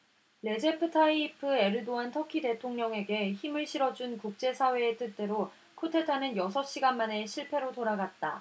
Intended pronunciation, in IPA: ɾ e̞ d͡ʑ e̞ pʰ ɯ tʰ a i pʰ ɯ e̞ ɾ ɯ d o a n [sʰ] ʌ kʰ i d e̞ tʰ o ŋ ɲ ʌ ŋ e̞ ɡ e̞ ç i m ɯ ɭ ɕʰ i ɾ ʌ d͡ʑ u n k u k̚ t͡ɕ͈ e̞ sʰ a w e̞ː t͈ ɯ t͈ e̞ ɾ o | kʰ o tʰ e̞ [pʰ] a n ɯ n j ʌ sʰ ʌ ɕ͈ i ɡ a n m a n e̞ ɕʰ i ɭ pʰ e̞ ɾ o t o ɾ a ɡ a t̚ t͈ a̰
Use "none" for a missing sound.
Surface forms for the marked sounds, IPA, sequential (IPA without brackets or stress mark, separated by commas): tʰ, tʰ